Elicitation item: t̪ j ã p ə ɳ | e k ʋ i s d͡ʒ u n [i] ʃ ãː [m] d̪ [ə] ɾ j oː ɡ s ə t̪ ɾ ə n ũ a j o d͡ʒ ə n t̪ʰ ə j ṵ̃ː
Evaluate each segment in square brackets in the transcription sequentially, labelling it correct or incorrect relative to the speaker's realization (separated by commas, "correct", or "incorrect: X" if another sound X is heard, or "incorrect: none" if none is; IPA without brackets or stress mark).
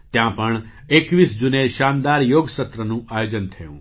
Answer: incorrect: e, incorrect: n, incorrect: a